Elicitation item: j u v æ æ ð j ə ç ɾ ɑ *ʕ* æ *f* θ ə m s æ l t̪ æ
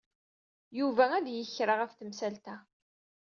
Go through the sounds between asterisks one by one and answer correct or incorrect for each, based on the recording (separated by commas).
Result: incorrect, correct